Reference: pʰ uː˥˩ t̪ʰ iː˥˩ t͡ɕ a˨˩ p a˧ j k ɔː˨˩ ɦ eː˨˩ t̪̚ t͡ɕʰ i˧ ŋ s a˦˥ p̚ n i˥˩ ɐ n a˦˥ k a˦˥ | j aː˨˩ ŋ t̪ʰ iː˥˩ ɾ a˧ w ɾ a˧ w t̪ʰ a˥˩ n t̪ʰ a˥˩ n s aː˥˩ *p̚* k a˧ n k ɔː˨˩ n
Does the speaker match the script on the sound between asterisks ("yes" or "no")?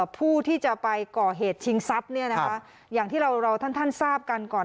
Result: yes